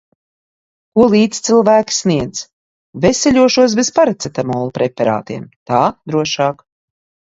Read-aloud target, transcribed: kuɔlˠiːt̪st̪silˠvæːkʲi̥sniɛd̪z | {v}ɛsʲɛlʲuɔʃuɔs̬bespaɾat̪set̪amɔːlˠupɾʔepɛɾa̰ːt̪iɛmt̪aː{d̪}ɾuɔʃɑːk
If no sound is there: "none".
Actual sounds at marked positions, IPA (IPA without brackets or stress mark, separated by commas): v, d̪